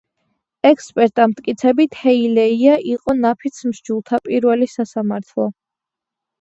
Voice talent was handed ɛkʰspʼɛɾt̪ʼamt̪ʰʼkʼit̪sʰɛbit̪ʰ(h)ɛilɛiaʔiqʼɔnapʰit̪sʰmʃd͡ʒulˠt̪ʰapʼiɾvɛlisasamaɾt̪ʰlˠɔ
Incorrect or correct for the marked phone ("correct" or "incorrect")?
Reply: correct